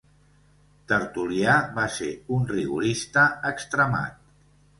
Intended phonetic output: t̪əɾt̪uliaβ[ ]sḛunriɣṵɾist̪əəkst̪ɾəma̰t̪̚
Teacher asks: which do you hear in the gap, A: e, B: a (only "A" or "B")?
B